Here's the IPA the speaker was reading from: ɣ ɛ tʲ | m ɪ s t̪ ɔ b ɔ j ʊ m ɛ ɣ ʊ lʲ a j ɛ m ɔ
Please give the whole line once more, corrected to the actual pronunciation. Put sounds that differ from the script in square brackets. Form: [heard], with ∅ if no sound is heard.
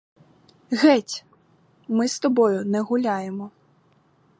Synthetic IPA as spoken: ɣ ɛ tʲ | m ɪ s t̪ ɔ b ɔ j ʊ [n] ɛ ɣ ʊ lʲ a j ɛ m ɔ